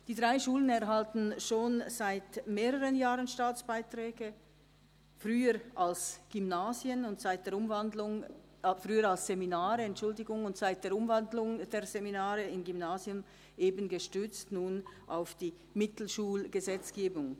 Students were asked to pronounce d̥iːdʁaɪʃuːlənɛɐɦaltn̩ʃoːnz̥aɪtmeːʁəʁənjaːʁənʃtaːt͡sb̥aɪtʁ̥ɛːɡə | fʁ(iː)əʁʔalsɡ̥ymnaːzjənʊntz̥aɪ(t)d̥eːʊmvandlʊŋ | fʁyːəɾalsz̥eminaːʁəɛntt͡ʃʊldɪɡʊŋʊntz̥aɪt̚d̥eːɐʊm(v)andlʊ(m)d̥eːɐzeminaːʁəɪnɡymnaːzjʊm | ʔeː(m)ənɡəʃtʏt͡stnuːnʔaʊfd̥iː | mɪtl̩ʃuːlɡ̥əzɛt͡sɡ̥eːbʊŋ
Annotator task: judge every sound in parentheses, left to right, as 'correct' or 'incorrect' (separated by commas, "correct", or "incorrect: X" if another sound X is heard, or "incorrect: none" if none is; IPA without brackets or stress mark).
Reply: incorrect: yː, correct, correct, incorrect: ŋ, incorrect: b